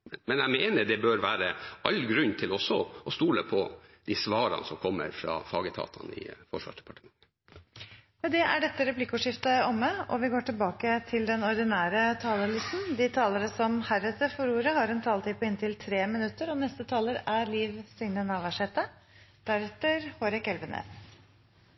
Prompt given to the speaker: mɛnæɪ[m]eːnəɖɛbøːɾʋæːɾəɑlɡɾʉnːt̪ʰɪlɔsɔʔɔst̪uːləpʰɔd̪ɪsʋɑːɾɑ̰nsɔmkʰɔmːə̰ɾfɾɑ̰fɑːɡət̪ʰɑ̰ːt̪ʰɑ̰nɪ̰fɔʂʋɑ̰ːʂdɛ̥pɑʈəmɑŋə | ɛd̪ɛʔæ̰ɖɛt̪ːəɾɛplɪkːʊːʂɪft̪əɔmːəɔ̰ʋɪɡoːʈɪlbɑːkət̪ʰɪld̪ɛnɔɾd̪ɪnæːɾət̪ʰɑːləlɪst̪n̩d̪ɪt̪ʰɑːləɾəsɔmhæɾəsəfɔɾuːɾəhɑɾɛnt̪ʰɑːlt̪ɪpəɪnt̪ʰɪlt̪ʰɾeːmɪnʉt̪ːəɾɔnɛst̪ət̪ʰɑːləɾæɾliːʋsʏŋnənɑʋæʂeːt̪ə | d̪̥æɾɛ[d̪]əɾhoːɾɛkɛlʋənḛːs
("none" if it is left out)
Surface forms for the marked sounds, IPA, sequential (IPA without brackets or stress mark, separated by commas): m, t̪